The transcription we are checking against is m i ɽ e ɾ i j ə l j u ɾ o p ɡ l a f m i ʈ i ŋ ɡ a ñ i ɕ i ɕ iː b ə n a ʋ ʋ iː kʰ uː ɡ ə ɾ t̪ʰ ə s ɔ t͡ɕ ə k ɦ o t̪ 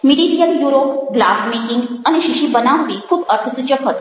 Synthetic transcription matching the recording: m i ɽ i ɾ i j ə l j u ɾ o p ɡ l a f m i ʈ i ŋ ɡ a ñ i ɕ i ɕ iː b ə n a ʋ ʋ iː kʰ uː b ə ɾ t̪ʰ ə s u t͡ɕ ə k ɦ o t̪